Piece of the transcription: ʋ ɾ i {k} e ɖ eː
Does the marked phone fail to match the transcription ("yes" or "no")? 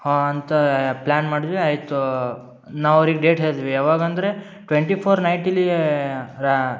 yes